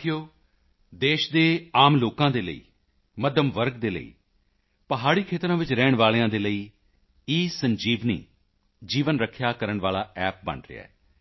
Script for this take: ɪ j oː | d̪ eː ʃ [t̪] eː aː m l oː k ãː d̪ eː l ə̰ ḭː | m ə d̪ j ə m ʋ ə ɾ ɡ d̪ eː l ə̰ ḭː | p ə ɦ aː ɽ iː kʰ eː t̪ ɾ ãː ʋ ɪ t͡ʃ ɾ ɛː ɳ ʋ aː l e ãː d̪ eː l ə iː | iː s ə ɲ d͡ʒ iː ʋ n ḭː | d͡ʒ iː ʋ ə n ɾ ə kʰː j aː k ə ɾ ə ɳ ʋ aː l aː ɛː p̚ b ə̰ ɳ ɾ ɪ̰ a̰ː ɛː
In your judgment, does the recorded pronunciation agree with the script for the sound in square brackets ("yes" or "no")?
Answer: no